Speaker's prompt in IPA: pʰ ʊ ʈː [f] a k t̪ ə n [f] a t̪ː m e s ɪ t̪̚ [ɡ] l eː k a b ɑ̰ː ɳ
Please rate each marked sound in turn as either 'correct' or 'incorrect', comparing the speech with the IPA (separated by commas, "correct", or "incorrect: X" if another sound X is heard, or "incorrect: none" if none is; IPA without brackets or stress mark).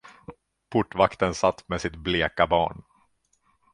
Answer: incorrect: v, incorrect: s, incorrect: b